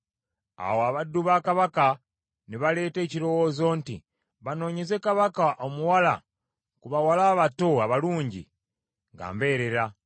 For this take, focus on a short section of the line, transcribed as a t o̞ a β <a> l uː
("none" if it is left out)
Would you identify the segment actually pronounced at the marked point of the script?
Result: a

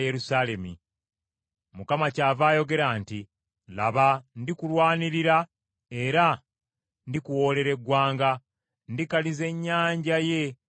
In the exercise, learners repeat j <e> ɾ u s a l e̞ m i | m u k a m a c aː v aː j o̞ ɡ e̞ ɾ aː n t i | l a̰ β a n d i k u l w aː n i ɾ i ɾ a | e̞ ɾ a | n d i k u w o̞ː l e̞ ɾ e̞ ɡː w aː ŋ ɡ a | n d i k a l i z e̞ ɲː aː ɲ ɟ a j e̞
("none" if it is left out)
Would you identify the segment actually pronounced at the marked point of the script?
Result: e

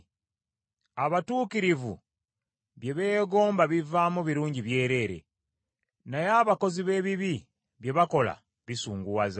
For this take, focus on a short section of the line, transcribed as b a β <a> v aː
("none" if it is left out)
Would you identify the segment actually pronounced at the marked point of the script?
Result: i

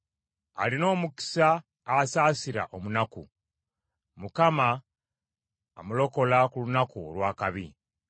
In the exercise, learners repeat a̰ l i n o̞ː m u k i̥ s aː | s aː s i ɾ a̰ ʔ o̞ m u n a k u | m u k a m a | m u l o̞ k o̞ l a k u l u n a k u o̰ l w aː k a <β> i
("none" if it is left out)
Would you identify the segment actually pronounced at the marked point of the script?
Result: β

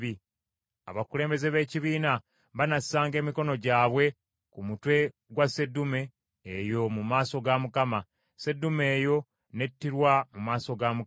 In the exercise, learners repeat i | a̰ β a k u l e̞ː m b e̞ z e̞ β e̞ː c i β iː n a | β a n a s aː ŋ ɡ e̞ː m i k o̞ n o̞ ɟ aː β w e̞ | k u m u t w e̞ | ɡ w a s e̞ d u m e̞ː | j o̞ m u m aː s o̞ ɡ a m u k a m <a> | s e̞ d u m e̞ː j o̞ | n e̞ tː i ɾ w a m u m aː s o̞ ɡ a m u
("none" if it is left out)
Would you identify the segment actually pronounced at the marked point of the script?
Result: a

